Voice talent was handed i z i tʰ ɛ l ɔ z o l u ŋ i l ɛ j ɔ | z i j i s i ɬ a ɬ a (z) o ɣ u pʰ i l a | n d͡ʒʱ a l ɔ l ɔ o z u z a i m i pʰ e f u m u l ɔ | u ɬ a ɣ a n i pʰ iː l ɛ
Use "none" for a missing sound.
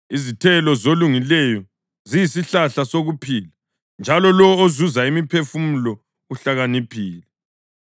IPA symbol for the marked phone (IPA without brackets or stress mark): s